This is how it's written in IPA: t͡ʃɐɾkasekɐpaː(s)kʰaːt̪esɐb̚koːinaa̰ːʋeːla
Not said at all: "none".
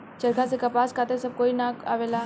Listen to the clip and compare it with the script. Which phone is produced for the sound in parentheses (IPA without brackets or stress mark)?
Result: s